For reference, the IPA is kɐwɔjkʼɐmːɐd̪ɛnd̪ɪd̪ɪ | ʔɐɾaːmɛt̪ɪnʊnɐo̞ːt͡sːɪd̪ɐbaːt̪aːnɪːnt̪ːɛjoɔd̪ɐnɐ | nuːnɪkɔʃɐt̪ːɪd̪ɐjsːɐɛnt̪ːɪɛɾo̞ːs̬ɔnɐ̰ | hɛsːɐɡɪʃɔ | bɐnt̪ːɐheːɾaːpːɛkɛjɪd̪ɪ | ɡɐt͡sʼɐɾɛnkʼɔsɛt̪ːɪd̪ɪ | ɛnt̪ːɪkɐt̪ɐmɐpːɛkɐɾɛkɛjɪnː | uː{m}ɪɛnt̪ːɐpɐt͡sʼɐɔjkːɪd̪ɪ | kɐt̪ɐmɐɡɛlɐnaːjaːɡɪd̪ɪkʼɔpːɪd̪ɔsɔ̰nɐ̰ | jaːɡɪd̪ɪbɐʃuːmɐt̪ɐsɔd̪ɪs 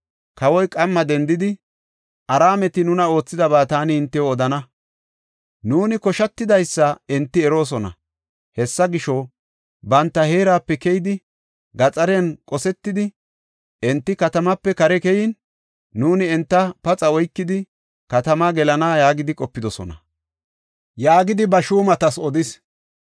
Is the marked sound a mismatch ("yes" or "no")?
yes